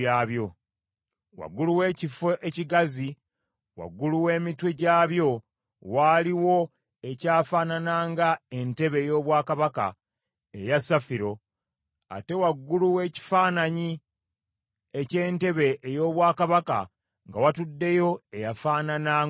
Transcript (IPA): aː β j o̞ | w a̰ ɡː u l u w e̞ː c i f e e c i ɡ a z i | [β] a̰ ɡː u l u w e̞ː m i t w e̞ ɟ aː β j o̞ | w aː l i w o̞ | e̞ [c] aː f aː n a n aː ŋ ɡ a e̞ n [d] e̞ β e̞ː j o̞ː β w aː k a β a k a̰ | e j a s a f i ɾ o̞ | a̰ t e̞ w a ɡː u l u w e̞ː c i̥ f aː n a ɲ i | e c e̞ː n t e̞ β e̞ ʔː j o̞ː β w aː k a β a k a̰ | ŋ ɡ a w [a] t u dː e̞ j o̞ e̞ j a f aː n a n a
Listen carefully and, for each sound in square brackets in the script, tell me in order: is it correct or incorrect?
incorrect, correct, incorrect, correct

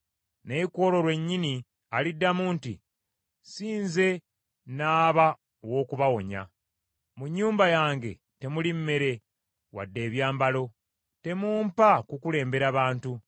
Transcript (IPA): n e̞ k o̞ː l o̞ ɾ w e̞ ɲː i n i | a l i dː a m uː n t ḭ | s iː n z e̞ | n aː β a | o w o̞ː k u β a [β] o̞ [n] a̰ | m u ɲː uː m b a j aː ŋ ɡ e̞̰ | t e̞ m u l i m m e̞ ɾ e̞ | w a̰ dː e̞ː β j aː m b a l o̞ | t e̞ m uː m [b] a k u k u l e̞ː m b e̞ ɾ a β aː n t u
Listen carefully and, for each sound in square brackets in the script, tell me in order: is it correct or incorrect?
incorrect, incorrect, incorrect

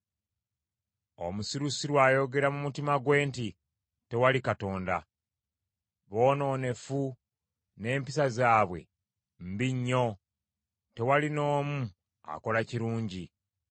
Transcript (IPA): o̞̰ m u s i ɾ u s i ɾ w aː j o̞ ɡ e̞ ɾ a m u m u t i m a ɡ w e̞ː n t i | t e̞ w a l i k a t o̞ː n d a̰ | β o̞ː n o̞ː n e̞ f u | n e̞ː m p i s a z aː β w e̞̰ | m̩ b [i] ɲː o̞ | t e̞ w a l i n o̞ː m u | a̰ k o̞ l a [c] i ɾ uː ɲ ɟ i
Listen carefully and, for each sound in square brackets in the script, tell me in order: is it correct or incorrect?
correct, correct

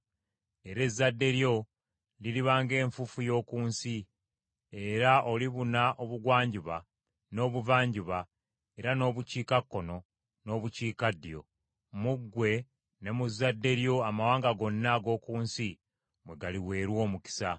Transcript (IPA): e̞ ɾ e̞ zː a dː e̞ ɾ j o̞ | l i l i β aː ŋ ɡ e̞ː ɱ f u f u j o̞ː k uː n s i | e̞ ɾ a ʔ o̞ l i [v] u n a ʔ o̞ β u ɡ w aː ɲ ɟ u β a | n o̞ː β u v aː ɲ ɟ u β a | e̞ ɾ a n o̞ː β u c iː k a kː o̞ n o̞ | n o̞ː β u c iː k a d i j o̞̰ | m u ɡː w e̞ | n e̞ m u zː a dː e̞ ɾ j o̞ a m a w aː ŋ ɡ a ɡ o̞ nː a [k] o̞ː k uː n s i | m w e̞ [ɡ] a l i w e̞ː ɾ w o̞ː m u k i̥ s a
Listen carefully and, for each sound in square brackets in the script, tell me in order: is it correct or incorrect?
incorrect, incorrect, correct

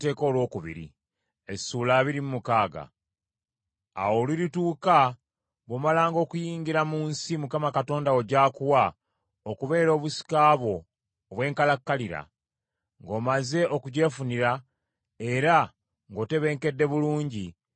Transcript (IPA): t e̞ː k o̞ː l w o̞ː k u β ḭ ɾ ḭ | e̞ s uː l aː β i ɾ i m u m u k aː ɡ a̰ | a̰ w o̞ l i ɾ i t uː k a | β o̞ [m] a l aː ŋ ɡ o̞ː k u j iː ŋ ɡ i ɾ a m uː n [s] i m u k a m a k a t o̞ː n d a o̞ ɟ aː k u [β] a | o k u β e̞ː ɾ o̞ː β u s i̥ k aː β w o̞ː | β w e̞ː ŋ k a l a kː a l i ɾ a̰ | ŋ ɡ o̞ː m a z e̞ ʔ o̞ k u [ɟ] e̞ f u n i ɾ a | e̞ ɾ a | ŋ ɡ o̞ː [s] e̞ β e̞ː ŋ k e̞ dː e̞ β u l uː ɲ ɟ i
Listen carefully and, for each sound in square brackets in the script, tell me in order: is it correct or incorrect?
correct, correct, incorrect, correct, incorrect

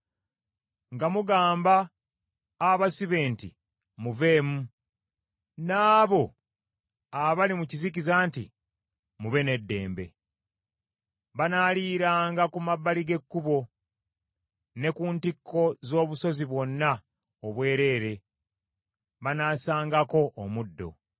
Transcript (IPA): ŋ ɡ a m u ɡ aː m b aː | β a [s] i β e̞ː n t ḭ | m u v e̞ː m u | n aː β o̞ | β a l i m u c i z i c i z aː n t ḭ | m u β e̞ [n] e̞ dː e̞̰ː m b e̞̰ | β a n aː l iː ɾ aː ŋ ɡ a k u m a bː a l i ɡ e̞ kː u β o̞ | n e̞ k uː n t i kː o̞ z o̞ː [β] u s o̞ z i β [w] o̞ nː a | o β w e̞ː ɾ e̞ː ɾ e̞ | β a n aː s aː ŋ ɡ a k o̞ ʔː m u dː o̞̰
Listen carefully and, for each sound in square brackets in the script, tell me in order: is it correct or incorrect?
correct, correct, correct, correct

